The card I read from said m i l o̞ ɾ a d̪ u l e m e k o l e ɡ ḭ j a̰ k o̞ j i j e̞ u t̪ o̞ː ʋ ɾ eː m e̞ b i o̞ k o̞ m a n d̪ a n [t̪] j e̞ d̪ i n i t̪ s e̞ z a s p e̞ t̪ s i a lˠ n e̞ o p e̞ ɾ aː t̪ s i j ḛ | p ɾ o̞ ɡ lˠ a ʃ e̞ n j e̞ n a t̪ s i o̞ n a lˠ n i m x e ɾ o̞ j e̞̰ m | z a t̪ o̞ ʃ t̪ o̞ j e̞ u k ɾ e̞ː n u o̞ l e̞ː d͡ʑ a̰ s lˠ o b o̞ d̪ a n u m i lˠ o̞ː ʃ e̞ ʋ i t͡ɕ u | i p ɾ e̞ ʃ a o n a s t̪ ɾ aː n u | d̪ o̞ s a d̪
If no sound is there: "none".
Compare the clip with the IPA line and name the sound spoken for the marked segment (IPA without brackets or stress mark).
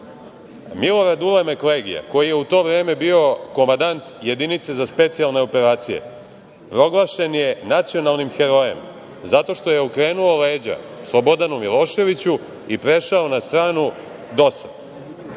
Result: t̪